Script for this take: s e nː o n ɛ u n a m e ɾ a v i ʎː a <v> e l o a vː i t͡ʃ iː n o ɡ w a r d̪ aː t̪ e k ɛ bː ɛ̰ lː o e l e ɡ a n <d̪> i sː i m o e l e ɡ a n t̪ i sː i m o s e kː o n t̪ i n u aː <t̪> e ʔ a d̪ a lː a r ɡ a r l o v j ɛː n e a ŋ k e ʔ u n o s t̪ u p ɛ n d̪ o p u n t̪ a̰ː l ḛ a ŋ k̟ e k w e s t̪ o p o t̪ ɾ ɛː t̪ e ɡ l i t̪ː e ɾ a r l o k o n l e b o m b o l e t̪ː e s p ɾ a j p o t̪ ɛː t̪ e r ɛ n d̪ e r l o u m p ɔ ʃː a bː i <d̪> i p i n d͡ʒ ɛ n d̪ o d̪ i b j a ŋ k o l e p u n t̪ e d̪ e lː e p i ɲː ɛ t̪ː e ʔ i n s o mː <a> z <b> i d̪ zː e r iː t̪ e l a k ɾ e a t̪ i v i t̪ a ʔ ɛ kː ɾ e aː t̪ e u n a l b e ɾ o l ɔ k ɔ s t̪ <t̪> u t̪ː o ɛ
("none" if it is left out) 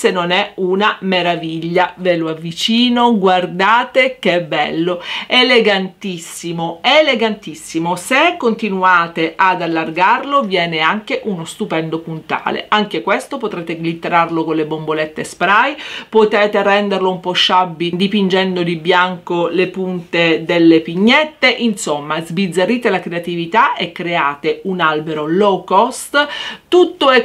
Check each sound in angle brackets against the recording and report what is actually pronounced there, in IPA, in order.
v, t̪, t̪, d̪, a, b, t̪

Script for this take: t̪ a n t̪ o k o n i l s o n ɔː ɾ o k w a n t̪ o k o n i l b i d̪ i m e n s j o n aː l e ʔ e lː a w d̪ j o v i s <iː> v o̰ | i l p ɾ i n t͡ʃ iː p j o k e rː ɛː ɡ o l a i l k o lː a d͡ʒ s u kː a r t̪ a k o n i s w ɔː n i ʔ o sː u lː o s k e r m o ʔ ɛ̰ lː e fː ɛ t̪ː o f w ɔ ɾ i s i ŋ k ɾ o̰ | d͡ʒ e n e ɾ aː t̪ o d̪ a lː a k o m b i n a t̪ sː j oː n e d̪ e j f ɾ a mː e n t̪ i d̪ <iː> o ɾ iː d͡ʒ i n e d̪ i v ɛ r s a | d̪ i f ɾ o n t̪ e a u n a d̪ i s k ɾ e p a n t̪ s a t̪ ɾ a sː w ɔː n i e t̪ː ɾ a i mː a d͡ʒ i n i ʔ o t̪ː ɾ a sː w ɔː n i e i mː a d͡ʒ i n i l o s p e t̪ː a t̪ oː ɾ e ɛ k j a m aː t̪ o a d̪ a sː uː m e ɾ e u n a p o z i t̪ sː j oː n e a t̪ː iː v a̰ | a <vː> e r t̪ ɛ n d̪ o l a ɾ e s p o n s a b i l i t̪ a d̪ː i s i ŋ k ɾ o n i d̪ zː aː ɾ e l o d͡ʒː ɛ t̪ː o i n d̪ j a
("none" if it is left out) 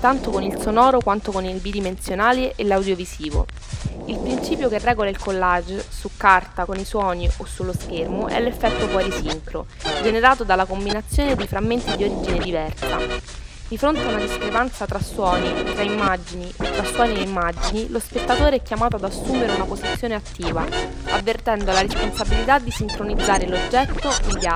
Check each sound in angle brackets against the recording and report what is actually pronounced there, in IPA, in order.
iː, i, vː

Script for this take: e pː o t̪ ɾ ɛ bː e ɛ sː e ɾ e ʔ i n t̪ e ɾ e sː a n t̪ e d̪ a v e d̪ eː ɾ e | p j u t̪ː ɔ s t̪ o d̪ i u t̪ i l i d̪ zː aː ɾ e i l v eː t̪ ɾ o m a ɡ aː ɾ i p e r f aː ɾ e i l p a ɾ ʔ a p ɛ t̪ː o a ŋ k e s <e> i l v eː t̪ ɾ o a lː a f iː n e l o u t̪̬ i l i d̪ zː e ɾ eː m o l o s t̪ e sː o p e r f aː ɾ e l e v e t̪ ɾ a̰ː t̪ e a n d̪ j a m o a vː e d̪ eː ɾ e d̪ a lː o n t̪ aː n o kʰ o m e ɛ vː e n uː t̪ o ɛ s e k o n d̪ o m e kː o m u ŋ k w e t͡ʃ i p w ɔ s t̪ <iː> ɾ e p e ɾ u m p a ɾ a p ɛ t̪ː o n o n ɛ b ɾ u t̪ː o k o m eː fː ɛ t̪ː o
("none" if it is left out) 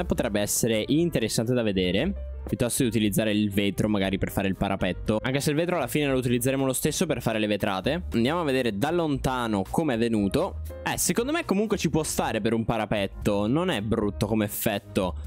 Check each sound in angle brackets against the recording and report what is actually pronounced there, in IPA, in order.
e, aː

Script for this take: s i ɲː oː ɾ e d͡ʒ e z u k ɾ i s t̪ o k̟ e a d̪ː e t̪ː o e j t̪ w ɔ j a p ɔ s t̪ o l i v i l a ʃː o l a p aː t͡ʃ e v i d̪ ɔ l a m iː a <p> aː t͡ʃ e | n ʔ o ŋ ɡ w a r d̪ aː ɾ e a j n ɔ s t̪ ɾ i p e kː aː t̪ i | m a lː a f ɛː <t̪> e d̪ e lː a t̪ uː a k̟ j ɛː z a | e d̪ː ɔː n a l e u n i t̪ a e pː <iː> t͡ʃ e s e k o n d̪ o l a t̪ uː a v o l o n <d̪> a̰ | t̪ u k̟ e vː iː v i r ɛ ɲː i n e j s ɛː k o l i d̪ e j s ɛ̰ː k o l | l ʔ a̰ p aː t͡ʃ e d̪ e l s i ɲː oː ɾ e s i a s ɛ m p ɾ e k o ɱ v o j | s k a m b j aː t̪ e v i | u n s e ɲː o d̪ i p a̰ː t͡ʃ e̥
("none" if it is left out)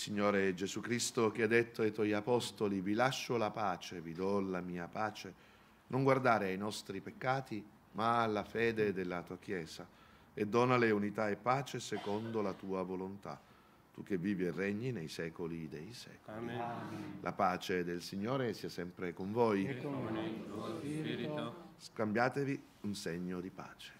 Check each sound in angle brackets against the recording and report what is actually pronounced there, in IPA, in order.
p, d̪, aː, t̪

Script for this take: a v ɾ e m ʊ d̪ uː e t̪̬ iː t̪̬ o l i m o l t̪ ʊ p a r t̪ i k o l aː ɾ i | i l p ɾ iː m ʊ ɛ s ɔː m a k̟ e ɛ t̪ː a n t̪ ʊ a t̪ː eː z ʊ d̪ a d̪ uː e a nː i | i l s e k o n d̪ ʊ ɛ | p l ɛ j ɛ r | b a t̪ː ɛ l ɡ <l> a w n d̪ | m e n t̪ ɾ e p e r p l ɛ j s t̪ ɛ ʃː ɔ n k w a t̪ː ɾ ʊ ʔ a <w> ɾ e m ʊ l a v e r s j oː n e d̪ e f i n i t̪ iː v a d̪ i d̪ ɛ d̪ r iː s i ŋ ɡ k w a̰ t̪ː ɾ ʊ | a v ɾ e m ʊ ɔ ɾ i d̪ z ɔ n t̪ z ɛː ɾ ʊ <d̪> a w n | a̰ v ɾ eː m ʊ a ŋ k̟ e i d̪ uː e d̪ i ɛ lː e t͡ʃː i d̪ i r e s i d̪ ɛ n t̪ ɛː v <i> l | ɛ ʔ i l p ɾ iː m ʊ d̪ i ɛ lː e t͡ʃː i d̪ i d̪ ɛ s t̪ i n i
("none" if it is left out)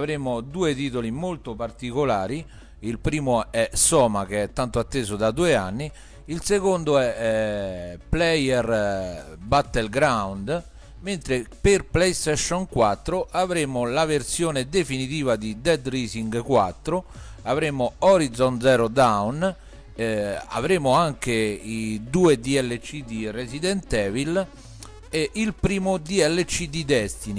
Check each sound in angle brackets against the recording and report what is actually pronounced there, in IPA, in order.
ɾ, v, d̪, i

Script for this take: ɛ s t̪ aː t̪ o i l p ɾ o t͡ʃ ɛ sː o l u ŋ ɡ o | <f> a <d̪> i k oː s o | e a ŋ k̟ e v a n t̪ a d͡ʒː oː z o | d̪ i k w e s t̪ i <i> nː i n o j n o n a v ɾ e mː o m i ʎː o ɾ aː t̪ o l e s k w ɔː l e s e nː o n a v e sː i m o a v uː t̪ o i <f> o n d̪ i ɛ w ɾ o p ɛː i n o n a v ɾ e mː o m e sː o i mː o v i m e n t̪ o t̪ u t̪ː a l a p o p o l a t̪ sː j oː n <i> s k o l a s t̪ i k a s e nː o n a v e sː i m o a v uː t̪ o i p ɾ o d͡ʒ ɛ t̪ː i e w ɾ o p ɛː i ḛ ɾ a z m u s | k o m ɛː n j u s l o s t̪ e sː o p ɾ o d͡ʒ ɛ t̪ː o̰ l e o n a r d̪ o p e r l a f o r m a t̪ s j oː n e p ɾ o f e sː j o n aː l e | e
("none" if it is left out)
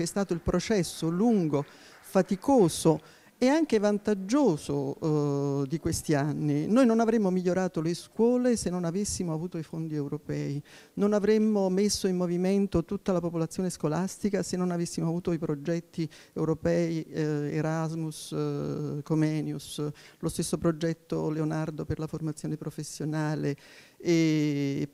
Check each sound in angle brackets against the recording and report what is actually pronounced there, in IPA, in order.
f, t̪, a, f, e

